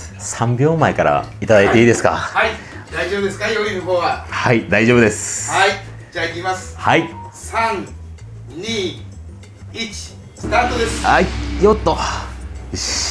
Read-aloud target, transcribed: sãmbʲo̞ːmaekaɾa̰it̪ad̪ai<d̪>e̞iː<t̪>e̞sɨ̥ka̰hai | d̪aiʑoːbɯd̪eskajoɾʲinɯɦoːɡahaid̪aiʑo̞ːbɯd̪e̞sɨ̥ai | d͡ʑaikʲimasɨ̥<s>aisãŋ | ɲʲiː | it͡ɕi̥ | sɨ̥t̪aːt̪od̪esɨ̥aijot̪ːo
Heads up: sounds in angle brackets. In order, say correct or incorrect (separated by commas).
incorrect, incorrect, incorrect